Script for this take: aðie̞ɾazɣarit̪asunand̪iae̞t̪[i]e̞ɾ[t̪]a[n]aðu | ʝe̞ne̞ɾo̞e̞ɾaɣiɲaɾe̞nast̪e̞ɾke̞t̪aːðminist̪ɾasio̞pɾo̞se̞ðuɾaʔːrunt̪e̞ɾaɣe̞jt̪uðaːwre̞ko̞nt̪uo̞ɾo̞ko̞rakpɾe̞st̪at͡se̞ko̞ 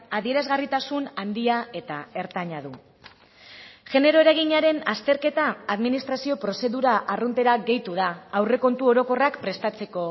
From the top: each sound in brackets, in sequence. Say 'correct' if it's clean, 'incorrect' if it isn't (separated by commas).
incorrect, correct, incorrect